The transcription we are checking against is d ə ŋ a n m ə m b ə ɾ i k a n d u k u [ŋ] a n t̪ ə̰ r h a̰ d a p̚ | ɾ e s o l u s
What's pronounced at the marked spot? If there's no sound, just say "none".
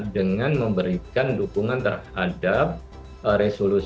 ŋ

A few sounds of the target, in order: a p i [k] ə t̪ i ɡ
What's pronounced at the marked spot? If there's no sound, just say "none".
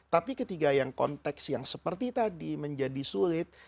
k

